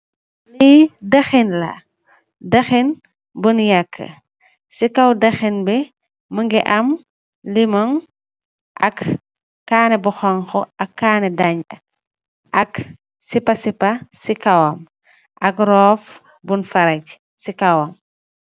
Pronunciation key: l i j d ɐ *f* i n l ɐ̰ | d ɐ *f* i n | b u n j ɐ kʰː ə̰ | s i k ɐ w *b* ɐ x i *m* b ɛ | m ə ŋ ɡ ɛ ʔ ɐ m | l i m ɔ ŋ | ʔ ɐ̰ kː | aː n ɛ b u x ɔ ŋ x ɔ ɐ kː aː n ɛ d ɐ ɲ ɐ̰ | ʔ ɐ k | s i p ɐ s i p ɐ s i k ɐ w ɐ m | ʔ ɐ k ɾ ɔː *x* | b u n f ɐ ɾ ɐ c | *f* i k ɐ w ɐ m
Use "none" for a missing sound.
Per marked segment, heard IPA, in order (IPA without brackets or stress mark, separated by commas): x, x, d, n, f, s